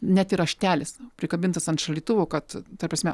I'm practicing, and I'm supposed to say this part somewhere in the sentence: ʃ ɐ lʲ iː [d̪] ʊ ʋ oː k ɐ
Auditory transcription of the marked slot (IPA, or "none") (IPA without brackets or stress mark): t̪